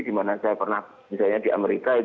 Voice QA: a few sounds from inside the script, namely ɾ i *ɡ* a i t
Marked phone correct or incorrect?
incorrect: k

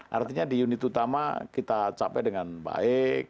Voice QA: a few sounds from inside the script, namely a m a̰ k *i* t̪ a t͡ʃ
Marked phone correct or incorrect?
correct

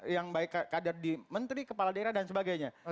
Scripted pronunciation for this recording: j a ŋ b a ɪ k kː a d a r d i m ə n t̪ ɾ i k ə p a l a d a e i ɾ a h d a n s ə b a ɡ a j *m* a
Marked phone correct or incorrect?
incorrect: ɲ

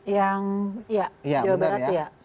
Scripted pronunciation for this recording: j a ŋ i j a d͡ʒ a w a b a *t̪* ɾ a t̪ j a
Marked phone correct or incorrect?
incorrect: none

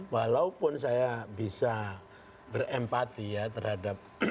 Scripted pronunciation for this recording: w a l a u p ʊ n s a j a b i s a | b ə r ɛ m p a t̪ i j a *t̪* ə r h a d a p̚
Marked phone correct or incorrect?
correct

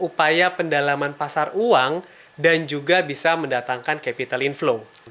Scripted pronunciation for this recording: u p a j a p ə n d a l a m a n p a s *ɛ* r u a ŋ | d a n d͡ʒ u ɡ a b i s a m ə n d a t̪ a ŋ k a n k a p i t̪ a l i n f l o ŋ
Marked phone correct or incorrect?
incorrect: a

